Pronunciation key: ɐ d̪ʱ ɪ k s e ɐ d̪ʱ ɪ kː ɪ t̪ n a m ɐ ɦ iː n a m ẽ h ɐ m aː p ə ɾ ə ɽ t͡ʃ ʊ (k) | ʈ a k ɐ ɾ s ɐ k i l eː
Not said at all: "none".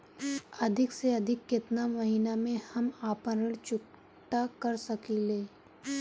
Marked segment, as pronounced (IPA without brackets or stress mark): k